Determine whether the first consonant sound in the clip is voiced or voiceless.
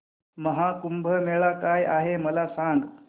voiced